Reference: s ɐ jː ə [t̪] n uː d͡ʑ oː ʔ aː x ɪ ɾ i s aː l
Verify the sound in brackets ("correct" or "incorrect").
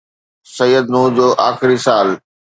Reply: incorrect